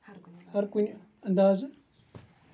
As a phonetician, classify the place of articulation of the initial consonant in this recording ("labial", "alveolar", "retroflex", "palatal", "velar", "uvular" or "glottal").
glottal